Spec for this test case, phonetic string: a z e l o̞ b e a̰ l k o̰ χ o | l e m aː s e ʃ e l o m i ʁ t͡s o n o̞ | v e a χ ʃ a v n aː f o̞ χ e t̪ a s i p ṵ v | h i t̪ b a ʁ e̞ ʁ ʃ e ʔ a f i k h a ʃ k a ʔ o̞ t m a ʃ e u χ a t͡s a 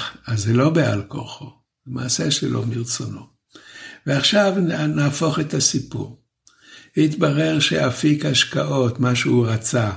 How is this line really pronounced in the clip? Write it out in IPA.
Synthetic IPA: a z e l o̞ b e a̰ l k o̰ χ o | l e m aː s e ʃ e l o m i ʁ t͡s o n o̞ | v e a χ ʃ a v n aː f o̞ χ e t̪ a s i p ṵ ʁ | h i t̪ b a ʁ e̞ ʁ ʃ e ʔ a f i k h a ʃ k a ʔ o̞ t m a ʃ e u ʁ a t͡s a